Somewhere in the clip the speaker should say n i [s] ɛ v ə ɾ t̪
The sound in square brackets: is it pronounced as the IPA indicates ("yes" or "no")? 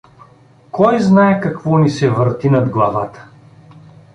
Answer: yes